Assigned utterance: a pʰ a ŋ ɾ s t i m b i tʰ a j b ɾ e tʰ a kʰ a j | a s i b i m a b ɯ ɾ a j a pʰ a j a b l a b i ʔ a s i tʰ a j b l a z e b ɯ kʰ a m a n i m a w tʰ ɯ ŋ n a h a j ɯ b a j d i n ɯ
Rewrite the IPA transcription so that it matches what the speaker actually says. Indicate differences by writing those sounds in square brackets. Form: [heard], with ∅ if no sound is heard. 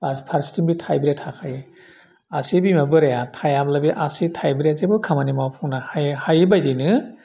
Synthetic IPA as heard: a pʰ a [∅] ɾ s t i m b i tʰ a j b ɾ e tʰ a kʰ a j | a s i b i m a b ɯ ɾ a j a [tʰ] a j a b l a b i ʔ a s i tʰ a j b [ɾ] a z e b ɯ kʰ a m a n i m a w [pʰ] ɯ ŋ n a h a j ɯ b a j d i n ɯ